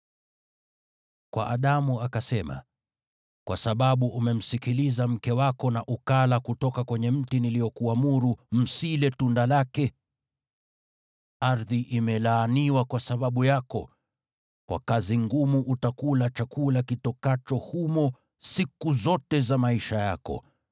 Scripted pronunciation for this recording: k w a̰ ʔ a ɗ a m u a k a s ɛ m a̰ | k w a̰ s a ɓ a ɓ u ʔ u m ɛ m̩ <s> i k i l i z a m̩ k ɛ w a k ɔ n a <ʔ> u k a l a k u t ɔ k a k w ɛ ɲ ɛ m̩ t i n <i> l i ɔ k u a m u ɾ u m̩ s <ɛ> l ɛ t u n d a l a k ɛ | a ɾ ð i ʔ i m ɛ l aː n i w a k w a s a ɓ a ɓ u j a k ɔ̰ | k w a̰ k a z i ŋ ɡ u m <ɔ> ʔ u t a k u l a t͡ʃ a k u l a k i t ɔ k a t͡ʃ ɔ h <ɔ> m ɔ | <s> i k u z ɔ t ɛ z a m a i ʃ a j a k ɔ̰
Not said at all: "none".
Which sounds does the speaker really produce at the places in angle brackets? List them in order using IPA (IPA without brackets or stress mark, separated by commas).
s, ʔ, i, i, u, u, s